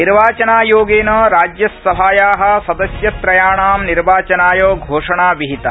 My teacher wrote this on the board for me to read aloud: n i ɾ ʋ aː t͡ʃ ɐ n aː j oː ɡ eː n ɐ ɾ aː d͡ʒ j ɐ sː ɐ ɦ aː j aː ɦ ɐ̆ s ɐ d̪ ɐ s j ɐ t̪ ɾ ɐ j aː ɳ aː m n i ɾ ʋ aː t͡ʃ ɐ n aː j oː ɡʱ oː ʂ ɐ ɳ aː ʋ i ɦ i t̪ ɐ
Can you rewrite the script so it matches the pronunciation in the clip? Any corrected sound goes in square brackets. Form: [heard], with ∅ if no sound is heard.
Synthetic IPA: n i ɾ ʋ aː t͡ʃ ɐ n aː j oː ɡ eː n ɐ ɾ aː d͡ʒ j ɐ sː ɐ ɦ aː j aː ɦ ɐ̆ s ɐ d̪ ɐ s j ɐ t̪ ɾ ɐ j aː ɳ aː m n i ɾ ʋ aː t͡ʃ ɐ n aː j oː ɡʱ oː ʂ ɐ ɳ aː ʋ i ɦ i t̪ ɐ